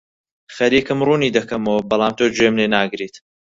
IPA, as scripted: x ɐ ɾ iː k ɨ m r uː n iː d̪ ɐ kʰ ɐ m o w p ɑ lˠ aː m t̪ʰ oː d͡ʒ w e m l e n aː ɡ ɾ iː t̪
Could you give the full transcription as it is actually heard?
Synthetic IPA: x ɐ ɾ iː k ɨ m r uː n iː d̪ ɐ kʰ ɐ m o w b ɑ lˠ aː m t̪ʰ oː d͡ʒ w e m l e n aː ɡ ɾ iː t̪